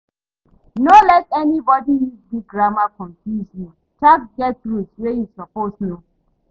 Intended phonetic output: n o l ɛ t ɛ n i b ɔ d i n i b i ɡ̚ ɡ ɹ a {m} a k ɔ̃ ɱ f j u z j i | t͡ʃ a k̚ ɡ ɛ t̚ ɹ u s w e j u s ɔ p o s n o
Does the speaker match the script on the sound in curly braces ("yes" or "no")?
yes